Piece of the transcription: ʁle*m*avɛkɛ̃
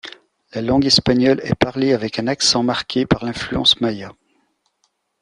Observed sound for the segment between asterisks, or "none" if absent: none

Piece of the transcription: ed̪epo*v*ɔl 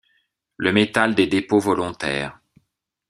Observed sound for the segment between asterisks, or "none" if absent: v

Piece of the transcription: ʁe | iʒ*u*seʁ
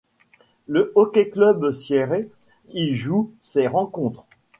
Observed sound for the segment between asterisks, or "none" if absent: u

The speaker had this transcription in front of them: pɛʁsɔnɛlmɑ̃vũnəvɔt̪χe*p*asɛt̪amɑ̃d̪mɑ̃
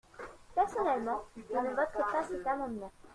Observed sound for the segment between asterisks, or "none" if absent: p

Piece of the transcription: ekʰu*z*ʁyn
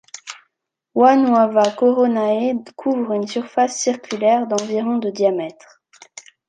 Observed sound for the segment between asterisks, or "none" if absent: v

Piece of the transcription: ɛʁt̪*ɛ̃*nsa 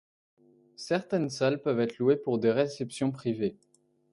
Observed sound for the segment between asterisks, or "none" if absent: ɛ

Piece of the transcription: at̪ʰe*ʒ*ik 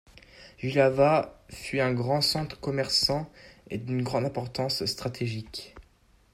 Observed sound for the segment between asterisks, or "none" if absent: ʒ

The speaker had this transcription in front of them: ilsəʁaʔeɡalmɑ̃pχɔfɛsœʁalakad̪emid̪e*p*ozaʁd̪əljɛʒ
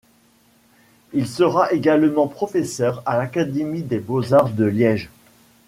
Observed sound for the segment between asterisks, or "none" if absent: b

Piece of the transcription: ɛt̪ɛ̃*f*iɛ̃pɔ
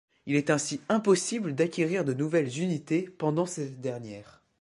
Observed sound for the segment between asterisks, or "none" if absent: s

